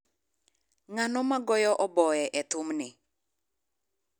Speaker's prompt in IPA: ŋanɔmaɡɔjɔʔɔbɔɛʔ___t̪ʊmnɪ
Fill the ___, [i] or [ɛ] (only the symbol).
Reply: ɛ